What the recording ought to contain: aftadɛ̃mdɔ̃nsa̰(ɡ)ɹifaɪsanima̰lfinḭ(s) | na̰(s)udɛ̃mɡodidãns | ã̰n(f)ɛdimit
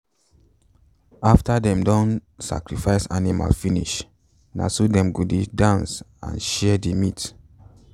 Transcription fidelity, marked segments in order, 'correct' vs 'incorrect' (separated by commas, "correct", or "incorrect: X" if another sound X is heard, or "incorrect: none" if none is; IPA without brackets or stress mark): incorrect: k, incorrect: ʃ, correct, incorrect: ʃ